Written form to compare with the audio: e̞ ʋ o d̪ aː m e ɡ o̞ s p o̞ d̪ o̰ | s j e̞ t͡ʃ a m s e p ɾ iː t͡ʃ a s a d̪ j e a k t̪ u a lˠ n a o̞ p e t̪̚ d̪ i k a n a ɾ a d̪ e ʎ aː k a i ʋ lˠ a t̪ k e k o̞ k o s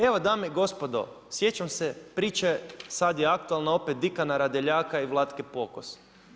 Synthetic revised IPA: e̞ ʋ o d̪ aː m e ɡ o̞ s p o̞ d̪ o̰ | s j e̞ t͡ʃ a m s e p ɾ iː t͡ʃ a s a d̪ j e a k t̪ u a lˠ n a o̞ p e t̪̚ d̪ i k a n a ɾ a d̪ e ʎ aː k a i ʋ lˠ a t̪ k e p o̞ k o s